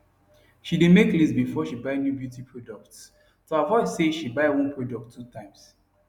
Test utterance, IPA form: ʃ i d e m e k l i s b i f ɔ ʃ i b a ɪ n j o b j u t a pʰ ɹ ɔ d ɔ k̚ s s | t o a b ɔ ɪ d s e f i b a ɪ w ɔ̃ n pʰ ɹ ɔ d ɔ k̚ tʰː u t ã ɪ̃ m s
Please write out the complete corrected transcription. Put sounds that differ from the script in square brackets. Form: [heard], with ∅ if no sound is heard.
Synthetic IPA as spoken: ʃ i d e m e k l i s b i f ɔ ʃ i b a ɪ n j [u] b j u t [i] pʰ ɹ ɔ d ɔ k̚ [t] s | t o a [v] ɔ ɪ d s e [ʃ] i b a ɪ w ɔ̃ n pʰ ɹ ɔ d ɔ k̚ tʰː u t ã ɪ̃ m s